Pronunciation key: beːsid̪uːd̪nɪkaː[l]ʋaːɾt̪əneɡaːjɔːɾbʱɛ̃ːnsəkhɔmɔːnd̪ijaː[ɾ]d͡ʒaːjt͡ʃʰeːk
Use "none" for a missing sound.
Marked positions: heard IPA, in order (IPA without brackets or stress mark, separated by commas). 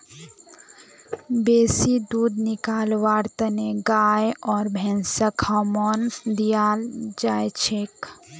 l, l